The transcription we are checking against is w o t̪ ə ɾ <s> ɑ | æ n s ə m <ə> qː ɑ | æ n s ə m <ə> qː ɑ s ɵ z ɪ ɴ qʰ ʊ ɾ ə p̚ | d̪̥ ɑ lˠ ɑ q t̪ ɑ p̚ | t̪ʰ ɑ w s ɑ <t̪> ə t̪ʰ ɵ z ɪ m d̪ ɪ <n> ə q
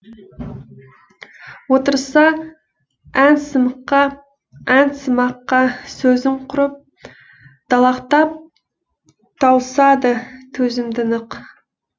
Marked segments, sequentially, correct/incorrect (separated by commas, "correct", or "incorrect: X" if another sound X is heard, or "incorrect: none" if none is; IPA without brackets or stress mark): correct, correct, incorrect: ɑ, incorrect: d̪, correct